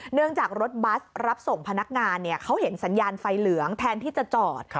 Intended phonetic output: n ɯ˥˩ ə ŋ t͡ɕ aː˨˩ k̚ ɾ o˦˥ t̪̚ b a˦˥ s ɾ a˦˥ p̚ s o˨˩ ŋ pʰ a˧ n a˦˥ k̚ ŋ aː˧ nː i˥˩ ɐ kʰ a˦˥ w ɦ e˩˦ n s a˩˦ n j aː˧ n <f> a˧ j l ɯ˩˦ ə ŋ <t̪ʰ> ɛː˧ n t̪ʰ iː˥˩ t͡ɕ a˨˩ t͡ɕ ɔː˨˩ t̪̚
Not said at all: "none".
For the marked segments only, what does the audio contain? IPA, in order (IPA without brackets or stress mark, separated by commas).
f, t̪ʰ